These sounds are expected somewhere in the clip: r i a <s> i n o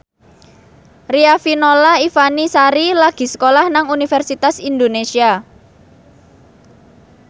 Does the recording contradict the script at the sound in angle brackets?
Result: yes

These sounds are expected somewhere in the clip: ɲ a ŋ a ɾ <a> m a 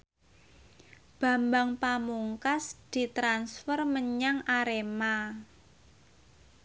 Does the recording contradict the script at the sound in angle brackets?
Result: yes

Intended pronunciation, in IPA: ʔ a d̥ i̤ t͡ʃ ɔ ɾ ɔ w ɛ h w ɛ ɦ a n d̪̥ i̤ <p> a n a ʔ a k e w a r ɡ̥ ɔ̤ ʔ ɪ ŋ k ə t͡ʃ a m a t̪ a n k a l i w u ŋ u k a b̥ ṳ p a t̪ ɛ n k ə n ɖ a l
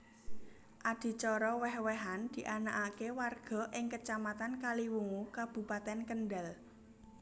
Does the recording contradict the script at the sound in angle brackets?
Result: yes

